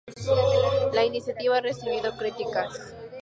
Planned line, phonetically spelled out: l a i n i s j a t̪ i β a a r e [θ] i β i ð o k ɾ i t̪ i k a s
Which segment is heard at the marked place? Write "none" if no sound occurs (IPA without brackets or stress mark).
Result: s